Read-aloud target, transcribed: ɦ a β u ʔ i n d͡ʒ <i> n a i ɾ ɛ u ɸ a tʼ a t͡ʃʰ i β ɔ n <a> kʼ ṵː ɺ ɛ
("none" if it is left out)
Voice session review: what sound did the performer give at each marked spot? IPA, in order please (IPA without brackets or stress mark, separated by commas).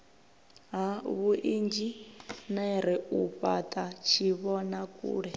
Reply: i, a